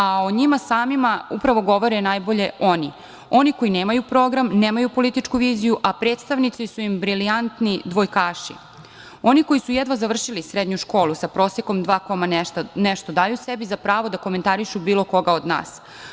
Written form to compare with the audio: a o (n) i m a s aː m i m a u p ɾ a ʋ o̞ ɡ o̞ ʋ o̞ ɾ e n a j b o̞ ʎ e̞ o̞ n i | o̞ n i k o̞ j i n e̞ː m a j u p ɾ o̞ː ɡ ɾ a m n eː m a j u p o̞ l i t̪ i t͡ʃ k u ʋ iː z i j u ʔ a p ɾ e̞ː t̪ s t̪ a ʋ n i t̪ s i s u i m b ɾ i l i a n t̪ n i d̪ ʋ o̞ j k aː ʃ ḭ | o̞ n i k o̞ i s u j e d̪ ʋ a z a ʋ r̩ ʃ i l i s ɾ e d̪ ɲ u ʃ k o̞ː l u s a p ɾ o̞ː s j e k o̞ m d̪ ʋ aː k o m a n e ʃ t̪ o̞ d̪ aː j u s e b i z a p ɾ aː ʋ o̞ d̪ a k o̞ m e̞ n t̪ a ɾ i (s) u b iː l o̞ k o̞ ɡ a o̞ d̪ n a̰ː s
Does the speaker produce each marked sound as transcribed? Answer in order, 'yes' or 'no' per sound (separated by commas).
no, no